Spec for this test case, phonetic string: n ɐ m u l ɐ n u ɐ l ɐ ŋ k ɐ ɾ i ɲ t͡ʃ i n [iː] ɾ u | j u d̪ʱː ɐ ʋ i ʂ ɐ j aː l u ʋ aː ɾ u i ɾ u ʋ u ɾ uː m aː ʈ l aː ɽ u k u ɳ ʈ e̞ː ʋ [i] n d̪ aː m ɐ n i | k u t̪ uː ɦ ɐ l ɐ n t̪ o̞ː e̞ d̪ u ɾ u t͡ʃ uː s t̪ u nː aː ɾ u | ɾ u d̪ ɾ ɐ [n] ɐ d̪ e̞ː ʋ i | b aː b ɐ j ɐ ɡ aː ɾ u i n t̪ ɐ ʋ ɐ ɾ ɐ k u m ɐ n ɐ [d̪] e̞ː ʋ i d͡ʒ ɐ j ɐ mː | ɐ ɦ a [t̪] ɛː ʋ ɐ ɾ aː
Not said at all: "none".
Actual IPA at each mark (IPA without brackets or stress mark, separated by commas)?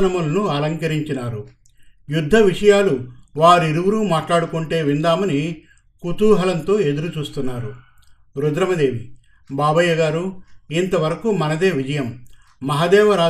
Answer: aː, i, m, d̪, d̪